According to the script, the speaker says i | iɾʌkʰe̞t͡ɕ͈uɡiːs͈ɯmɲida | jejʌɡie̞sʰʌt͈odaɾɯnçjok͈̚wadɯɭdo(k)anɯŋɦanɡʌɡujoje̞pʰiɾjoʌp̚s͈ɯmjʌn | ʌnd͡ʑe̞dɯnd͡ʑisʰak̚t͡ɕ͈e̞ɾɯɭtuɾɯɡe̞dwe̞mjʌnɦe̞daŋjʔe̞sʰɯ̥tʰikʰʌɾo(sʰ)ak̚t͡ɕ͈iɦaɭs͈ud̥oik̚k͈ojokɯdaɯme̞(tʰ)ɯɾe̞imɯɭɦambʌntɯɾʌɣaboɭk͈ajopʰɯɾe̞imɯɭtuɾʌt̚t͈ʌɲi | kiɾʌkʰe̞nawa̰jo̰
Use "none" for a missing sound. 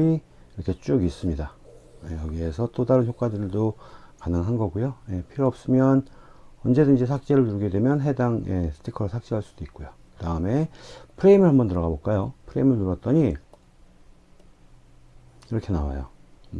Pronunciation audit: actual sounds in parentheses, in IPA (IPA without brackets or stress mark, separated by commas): k, sʰ, pʰ